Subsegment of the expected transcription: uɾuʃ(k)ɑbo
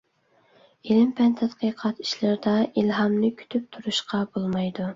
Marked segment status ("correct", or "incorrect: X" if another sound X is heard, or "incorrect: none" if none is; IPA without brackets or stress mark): incorrect: q